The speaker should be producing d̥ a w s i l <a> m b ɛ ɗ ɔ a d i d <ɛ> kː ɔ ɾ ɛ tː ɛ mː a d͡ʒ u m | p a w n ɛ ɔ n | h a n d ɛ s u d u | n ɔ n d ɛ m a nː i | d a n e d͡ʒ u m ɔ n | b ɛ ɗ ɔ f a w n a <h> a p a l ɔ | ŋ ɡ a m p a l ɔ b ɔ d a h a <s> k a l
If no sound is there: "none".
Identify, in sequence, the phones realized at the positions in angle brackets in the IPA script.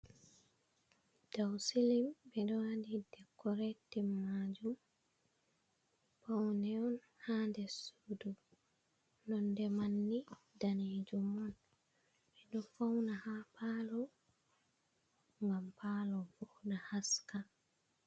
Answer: i, ɛ, h, s

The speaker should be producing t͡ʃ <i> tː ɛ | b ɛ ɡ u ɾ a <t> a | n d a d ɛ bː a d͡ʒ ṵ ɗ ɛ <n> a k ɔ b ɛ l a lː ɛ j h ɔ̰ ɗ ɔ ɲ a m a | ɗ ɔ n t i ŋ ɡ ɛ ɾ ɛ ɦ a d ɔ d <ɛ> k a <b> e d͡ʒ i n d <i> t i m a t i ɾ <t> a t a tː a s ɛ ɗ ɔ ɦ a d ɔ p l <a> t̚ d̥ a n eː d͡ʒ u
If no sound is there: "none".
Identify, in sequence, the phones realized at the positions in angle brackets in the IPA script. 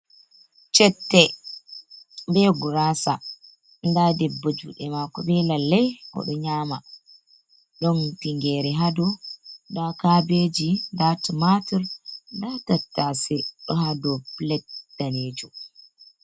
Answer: ɛ, s, m, a, b, a, d, ɛ

